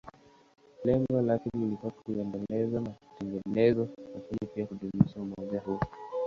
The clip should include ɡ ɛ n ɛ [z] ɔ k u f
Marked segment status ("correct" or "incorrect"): correct